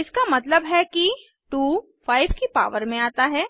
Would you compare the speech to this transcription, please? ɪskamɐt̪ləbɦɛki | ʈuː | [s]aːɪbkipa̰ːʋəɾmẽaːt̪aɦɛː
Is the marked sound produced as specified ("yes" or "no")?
no